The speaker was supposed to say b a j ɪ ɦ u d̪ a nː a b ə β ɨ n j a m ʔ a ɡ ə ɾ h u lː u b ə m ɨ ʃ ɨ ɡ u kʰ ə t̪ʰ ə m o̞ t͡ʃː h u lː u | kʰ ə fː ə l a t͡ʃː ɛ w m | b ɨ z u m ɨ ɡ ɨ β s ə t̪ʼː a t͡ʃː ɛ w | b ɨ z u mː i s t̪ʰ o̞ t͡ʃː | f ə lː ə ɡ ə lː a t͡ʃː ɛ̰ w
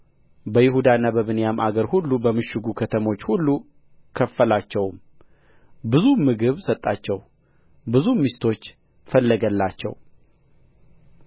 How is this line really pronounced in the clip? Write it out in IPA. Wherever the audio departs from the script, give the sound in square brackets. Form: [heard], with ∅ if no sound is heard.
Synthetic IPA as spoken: b [ə] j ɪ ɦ u d̪ a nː a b ə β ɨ n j a m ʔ a ɡ ə ɾ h u lː u b ə m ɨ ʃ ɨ ɡ u kʰ ə t̪ʰ ə m o̞ t͡ʃː h u lː u | kʰ ə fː ə l a t͡ʃː ɛ w m | b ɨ z u m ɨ ɡ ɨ β s ə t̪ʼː a t͡ʃː ɛ w | b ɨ z u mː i s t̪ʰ o̞ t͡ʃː | f ə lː ə ɡ ə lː a t͡ʃː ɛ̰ w